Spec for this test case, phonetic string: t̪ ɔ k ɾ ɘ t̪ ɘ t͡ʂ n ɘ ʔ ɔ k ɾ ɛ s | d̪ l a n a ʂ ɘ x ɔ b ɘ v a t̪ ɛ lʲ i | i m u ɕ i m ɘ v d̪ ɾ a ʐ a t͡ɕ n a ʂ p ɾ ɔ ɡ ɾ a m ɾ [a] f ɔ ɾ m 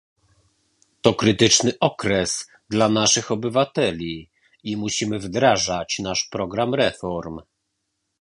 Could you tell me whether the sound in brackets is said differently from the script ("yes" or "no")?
yes